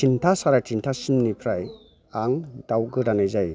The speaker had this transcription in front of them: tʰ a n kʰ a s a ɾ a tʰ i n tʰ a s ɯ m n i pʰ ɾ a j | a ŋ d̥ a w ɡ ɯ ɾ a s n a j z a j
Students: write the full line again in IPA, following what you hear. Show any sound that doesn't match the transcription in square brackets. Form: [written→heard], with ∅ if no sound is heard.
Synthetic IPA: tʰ [a→i] n [kʰ→tʰ] a s a ɾ a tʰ i n tʰ a s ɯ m n i pʰ ɾ a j | a ŋ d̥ a w ɡ ɯ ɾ a [s→∅] n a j z a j